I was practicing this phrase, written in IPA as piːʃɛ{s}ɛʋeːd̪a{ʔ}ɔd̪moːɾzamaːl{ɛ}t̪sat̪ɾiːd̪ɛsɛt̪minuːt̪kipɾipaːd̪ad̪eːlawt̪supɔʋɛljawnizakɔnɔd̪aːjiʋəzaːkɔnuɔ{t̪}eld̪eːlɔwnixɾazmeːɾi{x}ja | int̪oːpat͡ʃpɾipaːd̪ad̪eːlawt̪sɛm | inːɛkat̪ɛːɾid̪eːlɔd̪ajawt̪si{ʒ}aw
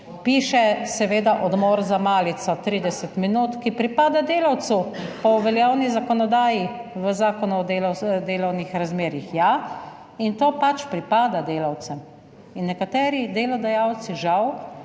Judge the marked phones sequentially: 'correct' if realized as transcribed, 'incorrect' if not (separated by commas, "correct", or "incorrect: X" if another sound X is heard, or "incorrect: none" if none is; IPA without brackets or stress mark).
correct, correct, incorrect: i, incorrect: d̪, correct, correct